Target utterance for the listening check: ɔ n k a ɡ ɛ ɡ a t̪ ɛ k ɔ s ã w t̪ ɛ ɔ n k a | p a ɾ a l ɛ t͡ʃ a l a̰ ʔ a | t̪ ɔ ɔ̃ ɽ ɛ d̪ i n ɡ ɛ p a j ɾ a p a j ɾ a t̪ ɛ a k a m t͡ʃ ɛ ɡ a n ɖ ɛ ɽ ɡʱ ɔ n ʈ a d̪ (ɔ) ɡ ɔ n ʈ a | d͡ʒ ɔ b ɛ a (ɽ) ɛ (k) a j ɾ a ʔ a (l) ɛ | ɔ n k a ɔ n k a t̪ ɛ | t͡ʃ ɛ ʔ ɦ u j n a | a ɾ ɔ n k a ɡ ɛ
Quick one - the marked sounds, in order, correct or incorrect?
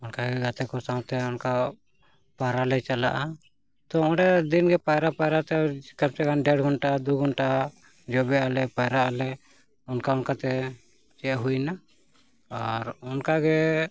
incorrect, incorrect, incorrect, correct

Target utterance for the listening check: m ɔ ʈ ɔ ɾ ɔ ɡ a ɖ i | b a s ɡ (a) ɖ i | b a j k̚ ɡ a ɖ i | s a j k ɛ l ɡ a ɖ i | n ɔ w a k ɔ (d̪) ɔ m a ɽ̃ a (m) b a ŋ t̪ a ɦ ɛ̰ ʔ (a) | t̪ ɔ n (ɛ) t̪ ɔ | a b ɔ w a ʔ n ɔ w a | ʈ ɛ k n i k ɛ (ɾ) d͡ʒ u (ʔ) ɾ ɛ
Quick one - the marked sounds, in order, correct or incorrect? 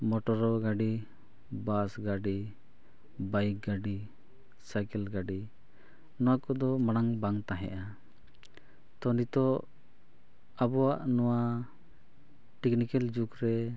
correct, correct, incorrect, correct, incorrect, incorrect, incorrect

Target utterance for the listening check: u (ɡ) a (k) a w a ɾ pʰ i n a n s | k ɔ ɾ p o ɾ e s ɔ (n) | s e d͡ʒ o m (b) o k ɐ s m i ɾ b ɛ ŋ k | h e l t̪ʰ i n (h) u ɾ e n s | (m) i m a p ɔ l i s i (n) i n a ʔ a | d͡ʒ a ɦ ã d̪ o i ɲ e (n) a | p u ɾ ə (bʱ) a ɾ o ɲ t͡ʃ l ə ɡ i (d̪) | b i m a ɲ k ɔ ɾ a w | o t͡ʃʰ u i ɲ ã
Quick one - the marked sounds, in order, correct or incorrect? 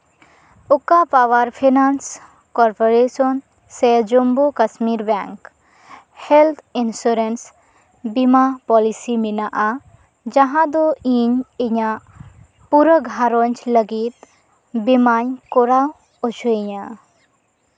incorrect, incorrect, correct, correct, incorrect, incorrect, incorrect, incorrect, incorrect, incorrect

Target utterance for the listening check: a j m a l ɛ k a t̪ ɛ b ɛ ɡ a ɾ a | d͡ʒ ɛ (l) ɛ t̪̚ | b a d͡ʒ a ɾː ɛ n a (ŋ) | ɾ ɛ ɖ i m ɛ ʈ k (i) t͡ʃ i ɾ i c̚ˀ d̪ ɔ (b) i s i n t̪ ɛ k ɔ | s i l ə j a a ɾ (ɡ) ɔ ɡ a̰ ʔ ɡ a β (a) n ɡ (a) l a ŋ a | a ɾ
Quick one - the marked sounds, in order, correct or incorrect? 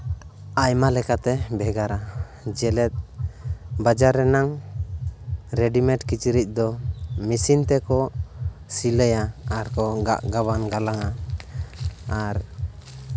correct, correct, correct, incorrect, incorrect, correct, correct

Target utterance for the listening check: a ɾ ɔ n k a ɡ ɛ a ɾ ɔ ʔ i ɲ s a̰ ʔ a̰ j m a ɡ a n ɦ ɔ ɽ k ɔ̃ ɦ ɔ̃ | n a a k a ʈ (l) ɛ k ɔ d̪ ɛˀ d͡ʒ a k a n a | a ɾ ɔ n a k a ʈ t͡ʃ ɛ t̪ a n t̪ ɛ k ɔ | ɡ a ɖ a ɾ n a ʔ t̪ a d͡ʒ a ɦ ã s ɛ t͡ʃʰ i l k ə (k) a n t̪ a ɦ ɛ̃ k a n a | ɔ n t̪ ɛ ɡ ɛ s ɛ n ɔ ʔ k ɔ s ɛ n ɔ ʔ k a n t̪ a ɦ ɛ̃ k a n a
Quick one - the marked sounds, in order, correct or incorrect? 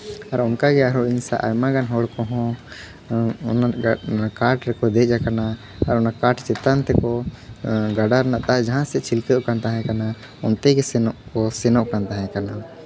incorrect, correct

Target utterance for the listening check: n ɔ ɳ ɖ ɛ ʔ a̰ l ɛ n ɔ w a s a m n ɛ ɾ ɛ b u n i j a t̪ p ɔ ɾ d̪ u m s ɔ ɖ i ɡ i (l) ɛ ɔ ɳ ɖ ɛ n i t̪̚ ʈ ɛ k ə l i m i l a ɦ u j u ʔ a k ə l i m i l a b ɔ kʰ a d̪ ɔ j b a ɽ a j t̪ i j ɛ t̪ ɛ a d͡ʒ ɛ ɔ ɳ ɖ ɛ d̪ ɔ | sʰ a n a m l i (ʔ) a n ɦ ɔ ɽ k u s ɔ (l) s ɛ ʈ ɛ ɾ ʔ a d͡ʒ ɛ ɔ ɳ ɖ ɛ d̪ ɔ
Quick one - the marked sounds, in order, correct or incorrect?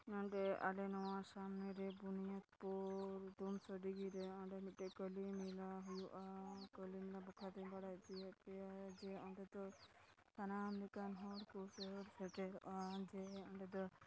incorrect, incorrect, incorrect

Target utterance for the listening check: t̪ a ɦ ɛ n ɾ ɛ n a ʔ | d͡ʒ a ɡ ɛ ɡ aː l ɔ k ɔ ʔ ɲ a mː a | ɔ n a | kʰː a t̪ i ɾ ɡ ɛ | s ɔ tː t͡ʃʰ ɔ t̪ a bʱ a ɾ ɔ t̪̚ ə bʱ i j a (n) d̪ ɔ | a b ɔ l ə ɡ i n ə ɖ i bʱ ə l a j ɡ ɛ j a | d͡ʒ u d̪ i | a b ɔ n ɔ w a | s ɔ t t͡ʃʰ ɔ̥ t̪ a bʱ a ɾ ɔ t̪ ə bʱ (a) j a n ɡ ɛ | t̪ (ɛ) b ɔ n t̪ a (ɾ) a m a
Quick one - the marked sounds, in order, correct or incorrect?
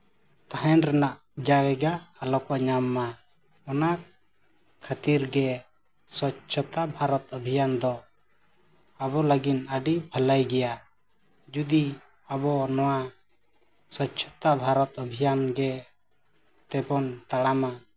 correct, incorrect, correct, incorrect

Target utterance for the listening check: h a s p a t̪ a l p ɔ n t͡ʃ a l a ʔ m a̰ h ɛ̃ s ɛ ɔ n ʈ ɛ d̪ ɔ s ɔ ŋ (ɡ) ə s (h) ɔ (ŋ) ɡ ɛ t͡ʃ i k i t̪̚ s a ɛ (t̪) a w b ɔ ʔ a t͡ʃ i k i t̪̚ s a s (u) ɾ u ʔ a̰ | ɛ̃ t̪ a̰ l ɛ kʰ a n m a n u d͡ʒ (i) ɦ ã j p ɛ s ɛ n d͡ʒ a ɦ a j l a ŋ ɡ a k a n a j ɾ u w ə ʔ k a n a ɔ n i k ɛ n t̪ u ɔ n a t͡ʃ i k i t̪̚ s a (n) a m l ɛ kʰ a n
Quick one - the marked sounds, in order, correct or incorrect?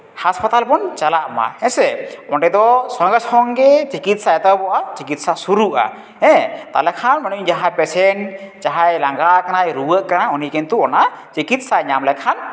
correct, correct, correct, correct, correct, incorrect, incorrect

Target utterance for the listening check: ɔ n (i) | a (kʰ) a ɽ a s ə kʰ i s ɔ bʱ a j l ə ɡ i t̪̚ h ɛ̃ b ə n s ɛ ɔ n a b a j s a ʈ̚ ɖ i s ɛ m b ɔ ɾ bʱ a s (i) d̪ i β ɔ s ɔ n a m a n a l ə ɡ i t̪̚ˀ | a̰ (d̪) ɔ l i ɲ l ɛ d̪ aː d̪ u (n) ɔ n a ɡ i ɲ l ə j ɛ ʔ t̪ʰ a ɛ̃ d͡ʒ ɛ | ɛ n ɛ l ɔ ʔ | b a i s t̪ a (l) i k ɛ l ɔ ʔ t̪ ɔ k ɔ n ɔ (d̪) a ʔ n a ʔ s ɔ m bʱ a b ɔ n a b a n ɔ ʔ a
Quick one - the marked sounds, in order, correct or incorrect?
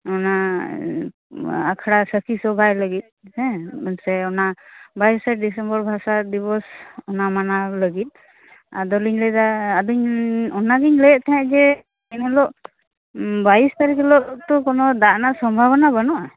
incorrect, correct, incorrect, correct, incorrect, incorrect, correct

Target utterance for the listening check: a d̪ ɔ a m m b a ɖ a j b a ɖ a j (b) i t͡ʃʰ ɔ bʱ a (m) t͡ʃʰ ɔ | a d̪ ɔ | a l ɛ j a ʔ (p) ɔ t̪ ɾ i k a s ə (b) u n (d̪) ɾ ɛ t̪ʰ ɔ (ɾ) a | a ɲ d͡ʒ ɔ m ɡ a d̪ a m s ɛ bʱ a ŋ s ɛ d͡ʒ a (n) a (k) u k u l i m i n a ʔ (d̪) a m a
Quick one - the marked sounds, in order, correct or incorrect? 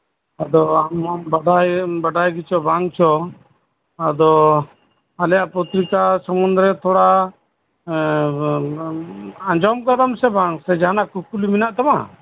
incorrect, incorrect, correct, incorrect, correct, incorrect, correct, correct, incorrect

